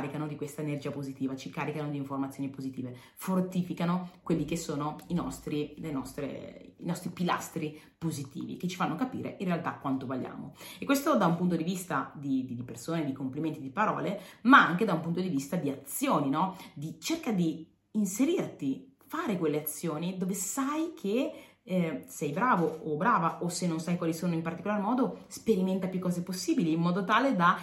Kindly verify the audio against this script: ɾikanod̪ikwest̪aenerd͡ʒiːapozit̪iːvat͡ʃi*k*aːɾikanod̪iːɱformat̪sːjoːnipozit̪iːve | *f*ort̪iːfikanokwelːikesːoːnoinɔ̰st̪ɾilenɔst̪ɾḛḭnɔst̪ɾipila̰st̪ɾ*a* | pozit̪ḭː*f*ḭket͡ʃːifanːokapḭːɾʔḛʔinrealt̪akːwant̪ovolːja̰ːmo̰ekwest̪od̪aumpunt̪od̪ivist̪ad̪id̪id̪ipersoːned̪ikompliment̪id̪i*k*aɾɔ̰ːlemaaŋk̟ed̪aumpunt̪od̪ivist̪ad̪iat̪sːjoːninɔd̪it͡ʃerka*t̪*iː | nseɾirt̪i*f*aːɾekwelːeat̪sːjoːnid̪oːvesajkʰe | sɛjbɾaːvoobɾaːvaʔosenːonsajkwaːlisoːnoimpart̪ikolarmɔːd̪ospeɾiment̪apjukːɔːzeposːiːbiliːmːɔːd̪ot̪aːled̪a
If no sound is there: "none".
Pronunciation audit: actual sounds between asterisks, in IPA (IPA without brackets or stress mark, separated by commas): k, f, i, v, p, d̪, f